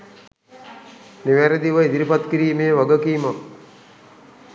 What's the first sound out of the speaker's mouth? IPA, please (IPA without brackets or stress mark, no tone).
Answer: n